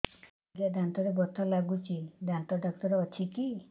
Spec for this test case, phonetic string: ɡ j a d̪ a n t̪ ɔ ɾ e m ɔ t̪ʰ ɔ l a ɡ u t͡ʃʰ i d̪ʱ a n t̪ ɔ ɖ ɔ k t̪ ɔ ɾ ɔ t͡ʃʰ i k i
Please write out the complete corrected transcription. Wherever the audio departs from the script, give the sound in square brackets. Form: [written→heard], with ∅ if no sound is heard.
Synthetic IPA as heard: ɡ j a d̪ a n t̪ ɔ ɾ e [m→b] ɔ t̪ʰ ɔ l a ɡ u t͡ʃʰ i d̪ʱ a n t̪ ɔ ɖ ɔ k t̪ ɔ ɾ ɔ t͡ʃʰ i k i